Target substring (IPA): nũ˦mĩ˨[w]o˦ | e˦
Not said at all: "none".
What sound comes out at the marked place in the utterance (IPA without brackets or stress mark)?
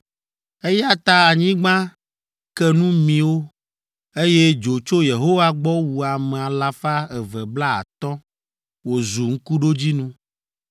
w